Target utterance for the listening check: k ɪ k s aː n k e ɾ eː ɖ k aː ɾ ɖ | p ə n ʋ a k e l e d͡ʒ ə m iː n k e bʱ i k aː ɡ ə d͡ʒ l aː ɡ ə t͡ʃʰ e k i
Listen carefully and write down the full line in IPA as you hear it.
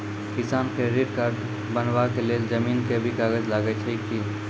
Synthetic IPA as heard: k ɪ s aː n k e ɾ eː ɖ k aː ɾ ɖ | b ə n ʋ a k e l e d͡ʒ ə m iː n k e bʱ i k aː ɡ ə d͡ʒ l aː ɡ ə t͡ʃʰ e k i